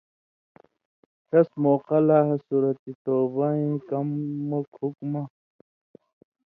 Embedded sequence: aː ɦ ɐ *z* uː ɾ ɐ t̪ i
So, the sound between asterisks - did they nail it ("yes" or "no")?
no